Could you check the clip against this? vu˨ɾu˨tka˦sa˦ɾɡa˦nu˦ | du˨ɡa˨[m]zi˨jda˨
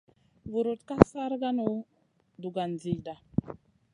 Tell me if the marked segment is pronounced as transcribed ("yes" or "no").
no